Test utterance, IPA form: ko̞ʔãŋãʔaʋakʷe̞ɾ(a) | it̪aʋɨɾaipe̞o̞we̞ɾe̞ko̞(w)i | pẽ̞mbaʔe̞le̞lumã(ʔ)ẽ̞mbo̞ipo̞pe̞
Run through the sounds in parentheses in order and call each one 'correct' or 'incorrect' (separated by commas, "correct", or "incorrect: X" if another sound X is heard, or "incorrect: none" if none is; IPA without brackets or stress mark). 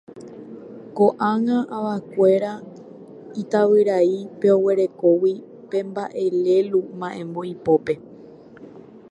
correct, correct, correct